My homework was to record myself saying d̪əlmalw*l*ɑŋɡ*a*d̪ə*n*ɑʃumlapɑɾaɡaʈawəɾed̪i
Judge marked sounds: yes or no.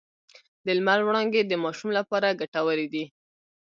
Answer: no, no, no

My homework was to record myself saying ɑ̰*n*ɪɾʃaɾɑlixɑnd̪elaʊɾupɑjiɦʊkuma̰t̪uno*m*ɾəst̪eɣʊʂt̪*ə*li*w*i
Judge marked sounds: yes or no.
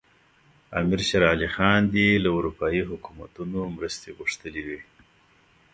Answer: no, yes, yes, yes

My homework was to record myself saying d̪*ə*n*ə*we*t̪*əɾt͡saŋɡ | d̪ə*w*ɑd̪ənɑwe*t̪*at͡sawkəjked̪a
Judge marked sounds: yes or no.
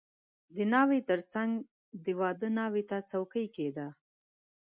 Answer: yes, no, yes, yes, yes

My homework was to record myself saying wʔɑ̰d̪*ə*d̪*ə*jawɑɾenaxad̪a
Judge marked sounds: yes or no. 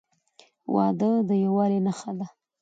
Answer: yes, yes

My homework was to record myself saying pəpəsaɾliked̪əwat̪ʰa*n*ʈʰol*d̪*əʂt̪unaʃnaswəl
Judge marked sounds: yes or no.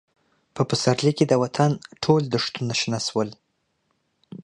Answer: yes, yes

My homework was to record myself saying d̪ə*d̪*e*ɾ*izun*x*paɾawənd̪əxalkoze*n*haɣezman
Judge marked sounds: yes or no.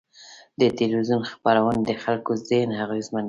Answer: no, no, yes, yes

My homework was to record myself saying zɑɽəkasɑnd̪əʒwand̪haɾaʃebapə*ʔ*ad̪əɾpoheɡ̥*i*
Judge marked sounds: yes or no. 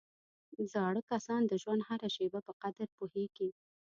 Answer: no, yes

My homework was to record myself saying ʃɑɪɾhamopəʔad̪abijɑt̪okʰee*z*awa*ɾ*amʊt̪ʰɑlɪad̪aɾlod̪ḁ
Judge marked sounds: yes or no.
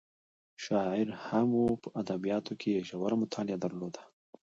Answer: no, yes

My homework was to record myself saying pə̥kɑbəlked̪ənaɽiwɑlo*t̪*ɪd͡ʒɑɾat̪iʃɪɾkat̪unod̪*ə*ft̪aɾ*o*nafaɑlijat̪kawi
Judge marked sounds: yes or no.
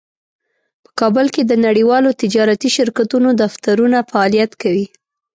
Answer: yes, no, no

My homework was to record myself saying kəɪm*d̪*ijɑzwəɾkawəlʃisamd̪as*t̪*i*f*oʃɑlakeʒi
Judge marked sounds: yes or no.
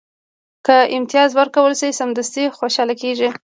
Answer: no, yes, no

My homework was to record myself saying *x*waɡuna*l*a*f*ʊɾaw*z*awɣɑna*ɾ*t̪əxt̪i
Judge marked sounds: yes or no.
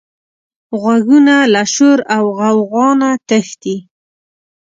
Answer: no, yes, no, no, no

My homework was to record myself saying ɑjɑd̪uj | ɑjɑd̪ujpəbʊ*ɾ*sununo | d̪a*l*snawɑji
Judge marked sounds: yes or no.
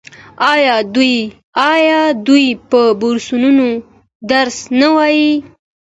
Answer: yes, no

